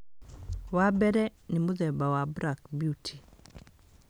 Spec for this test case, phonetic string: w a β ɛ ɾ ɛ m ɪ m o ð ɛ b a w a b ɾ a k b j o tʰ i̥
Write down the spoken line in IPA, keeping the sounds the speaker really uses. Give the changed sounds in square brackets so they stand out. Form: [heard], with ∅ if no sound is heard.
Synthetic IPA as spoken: w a [b] ɛ ɾ ɛ [n] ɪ m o ð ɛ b a w a b ɾ a k b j [u] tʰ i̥